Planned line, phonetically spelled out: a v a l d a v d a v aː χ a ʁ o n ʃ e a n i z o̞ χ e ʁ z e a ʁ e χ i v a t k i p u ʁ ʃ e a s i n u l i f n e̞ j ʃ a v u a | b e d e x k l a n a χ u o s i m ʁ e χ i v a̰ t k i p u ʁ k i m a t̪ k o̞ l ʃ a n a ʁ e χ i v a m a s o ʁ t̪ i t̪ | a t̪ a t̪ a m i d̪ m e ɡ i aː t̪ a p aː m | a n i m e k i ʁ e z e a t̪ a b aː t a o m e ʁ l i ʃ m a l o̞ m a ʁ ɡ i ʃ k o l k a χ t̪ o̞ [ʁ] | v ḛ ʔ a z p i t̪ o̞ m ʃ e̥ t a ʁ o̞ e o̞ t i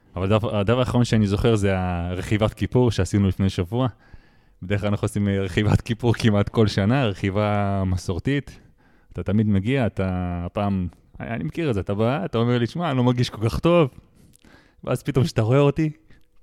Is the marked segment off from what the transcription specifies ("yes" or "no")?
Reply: yes